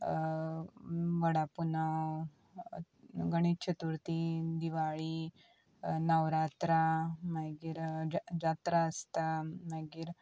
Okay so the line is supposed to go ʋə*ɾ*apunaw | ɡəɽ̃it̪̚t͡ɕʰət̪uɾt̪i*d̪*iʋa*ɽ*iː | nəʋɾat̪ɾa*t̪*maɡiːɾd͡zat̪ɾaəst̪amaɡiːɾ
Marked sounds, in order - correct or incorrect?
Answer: incorrect: ɽ, correct, incorrect: ɭ, incorrect: none

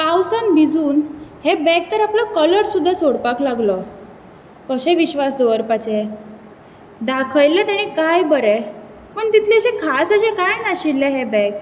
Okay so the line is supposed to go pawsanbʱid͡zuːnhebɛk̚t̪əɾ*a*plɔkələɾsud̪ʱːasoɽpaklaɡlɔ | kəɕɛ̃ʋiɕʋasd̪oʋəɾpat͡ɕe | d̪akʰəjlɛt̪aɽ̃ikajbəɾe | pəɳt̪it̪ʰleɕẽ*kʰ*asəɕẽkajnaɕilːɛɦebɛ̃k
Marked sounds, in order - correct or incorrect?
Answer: correct, correct

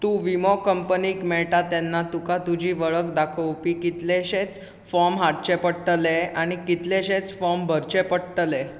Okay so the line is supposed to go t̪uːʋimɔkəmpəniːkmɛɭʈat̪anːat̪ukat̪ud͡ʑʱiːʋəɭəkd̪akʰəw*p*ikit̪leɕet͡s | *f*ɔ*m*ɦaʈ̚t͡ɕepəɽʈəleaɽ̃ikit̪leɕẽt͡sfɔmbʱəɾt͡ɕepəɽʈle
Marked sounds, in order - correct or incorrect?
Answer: correct, correct, correct

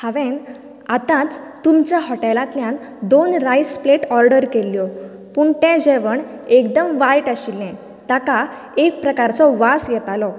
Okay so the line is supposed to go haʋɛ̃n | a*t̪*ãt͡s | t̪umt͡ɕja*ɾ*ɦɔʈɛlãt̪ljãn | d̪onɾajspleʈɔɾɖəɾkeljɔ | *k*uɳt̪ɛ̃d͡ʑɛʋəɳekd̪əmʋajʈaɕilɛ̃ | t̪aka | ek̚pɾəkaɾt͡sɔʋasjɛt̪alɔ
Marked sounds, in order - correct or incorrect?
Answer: correct, incorrect: none, incorrect: p

